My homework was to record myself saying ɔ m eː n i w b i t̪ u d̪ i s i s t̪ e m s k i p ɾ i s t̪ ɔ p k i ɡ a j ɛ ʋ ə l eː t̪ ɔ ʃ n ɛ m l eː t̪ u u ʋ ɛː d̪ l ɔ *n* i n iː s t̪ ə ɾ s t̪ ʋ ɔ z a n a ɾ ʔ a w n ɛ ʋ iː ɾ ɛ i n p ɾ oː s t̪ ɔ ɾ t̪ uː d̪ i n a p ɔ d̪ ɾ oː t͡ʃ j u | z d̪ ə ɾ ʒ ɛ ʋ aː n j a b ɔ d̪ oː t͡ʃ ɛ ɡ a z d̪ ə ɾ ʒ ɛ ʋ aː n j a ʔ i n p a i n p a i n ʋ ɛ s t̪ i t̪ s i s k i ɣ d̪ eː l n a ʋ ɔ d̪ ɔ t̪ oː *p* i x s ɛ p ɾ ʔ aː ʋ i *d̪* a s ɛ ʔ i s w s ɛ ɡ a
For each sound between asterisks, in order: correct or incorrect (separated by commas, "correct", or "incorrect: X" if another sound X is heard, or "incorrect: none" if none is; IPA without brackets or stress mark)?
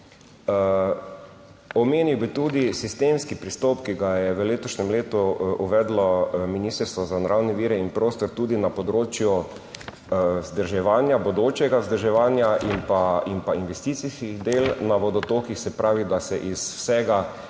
incorrect: m, incorrect: k, correct